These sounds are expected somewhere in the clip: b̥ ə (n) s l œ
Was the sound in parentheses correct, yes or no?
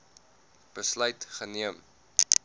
no